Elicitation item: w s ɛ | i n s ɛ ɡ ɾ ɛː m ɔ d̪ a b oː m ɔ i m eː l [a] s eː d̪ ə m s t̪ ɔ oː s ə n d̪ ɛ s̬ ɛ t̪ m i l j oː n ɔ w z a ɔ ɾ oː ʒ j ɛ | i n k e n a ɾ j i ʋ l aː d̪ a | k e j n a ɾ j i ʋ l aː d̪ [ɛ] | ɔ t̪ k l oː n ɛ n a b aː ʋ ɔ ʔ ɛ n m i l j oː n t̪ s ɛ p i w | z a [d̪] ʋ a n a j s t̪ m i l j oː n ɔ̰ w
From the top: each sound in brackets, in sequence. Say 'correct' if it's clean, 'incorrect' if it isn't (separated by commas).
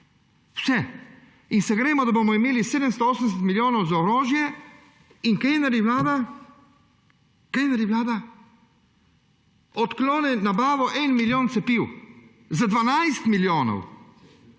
incorrect, incorrect, correct